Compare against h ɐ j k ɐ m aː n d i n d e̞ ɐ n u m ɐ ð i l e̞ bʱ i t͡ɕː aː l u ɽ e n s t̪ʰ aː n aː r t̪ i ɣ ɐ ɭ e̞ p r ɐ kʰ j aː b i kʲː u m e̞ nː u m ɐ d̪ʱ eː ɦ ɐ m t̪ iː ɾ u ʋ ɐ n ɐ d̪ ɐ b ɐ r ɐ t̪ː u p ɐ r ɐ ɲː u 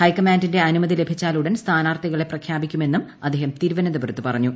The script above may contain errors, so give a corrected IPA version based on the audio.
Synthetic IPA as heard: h ɐ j k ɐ m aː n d i n d e̞ ɐ n u m ɐ ð i l e̞ bʱ i t͡ɕː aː l u ɽ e n s t̪ʰ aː n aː r t̪ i ɣ ɐ ɭ e̞ p r ɐ kʰ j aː b i kʲː u m e̞ nː u m ɐ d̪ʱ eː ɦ ɐ m t̪ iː ɾ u ʋ ɐ n ɐ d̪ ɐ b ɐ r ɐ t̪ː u p ɐ r ɐ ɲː u